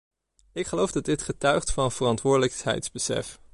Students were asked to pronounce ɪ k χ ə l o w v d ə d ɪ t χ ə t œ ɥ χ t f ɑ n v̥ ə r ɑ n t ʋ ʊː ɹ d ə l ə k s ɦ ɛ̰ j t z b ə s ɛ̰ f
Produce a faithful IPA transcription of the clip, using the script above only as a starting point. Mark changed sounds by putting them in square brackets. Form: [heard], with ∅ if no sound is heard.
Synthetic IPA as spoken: ɪ k χ ə l o w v d [ɑ] d ɪ t χ ə t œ ɥ χ t f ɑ n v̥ ə r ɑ n t ʋ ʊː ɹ d ə l ə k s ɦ ɛ̰ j t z b ə s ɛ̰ f